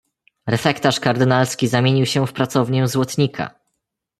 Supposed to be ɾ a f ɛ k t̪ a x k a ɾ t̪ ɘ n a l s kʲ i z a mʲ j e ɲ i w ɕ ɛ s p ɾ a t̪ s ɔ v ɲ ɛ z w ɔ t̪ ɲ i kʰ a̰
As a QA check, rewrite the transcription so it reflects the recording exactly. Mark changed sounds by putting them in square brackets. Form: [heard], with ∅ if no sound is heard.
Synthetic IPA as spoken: ɾ [ɛ] f ɛ k t̪ a [ʂ] k a ɾ [d̪] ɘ n a l s kʲ i z a mʲ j e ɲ i w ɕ ɛ [f] p ɾ a t̪ s ɔ v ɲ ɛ z w ɔ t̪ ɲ i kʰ a̰